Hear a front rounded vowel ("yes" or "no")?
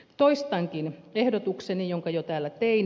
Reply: no